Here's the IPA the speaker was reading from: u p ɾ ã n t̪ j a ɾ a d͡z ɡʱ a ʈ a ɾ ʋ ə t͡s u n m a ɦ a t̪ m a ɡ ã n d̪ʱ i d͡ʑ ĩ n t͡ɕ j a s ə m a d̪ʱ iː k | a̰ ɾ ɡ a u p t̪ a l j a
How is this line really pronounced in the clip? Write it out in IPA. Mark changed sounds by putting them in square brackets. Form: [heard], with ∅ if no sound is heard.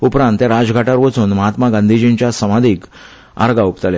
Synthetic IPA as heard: u p ɾ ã n t̪ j a ɾ a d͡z ɡʱ a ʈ a ɾ ʋ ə t͡s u n m [ə] ɦ a t̪ m a ɡ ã n d̪ʱ i d͡ʑ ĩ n t͡ɕ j a s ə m a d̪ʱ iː k | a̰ ɾ ɡ a u p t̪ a l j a